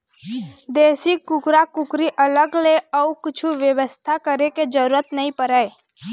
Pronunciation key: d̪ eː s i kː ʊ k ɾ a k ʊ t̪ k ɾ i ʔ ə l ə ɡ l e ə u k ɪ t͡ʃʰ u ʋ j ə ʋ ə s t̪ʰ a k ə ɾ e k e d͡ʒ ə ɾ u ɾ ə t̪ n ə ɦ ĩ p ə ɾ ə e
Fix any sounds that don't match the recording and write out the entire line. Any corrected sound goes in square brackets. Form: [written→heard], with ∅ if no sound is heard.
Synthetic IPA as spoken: d̪ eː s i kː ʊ k ɾ a k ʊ [t̪→∅] k ɾ i ʔ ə l ə ɡ l e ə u k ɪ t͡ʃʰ u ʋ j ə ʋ ə s t̪ʰ a k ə ɾ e k e d͡ʒ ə ɾ u ɾ ə t̪ n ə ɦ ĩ p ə ɾ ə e

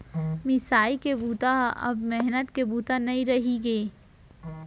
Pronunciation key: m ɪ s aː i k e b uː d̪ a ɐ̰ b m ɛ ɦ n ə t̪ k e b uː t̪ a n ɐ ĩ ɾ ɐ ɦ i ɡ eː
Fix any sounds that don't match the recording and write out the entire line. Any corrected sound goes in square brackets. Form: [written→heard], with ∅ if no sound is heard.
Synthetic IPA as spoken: m ɪ s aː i k e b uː [d̪→t̪] a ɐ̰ b m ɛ ɦ n ə t̪ k e b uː t̪ a n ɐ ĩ ɾ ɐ ɦ i ɡ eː

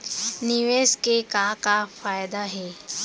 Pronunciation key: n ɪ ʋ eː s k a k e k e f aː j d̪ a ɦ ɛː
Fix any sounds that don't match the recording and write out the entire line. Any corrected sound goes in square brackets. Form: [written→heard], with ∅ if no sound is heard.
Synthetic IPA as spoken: n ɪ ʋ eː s k [a→e] k [e→a] k [e→a] f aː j d̪ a ɦ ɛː

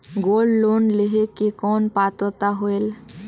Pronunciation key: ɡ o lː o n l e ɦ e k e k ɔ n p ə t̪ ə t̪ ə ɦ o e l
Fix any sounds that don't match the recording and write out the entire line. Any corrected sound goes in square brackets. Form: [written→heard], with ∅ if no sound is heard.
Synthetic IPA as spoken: ɡ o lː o n l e ɦ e k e k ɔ n p [ə→a] t̪ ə t̪ [ə→a] ɦ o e l

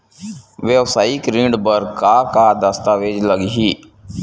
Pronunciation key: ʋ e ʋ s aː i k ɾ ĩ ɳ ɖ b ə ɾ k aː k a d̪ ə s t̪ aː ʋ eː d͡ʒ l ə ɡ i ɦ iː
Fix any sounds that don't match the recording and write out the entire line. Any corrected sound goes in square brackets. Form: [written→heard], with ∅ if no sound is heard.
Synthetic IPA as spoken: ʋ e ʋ s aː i k ɾ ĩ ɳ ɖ b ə ɾ k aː k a d̪ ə s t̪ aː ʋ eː d͡ʒ l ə ɡ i ɦ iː

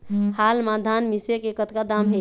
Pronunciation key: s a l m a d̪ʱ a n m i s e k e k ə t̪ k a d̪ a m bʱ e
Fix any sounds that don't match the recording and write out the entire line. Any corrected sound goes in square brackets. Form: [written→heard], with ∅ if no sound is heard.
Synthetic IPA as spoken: [s→h] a l m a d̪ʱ a n m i s e k e k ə t̪ k a d̪ a m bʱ e

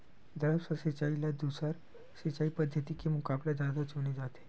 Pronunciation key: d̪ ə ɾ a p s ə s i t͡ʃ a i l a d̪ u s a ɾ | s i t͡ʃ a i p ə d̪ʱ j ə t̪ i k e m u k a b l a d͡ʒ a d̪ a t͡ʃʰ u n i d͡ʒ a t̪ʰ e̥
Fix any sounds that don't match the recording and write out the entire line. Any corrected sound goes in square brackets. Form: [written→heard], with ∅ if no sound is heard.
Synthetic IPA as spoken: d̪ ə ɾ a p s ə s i t͡ʃ a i l a d̪ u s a ɾ | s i t͡ʃ a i p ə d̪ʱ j ə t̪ i k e m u k a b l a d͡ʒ a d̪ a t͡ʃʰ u n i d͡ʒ a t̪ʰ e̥

